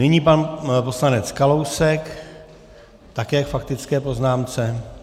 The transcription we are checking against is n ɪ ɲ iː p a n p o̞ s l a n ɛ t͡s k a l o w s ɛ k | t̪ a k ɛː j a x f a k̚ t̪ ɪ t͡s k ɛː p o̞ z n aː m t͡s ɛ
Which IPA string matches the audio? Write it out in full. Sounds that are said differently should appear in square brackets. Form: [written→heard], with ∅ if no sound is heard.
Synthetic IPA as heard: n ɪ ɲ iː p a n p o̞ s l a n ɛ t͡s k a l o w s ɛ k | t̪ a k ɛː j a [x→k] f a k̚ t̪ ɪ t͡s k ɛː p o̞ z n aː m t͡s ɛ